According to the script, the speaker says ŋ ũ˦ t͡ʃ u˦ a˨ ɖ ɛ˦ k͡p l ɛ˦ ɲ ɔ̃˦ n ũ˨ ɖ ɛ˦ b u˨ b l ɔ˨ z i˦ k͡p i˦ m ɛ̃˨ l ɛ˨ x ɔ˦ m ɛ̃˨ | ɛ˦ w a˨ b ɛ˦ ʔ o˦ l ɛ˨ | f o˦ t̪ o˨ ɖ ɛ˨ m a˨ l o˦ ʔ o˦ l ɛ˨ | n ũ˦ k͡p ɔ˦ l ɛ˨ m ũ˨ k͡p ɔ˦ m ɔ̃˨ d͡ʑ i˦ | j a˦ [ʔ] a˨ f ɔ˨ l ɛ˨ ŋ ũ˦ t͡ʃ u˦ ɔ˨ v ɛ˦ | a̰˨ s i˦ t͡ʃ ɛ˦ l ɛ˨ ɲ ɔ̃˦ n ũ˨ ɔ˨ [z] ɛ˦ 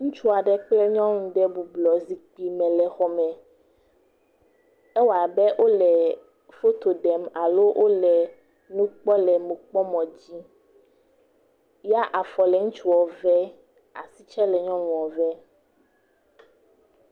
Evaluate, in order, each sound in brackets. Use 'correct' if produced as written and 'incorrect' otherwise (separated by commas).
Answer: correct, incorrect